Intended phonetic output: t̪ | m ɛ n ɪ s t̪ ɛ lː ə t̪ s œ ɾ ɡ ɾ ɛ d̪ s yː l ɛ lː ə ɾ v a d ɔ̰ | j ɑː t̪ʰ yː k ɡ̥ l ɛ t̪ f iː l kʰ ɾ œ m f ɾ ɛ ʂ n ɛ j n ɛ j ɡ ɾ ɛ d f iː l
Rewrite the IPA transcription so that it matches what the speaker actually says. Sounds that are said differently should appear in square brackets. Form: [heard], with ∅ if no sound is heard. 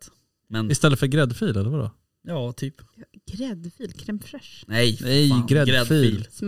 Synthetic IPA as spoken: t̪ | m ɛ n ɪ s t̪ ɛ lː ə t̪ [f] œ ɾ ɡ ɾ ɛ d̪ [f] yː l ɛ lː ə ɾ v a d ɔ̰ | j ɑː t̪ʰ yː [p] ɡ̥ [ɾ] ɛ [d̪] f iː l kʰ ɾ [ɛ] m f ɾ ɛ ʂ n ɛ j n ɛ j ɡ ɾ ɛ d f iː l